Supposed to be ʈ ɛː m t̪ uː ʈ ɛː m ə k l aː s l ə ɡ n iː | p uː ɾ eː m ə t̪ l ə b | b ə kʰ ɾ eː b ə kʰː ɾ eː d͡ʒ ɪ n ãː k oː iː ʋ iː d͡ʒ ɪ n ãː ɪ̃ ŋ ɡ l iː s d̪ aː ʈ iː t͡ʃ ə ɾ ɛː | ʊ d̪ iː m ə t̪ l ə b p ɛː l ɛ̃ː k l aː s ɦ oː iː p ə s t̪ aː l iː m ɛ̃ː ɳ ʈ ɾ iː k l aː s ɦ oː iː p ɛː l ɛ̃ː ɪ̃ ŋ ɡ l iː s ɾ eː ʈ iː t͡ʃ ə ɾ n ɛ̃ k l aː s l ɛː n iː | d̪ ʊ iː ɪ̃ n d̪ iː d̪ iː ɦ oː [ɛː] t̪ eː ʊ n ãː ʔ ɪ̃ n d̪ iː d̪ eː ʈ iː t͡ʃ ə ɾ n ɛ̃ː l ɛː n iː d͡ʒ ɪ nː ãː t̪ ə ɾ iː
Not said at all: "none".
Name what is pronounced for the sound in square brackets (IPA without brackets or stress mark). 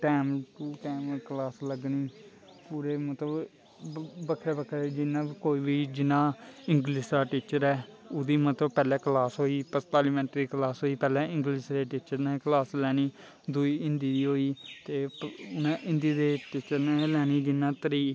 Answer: iː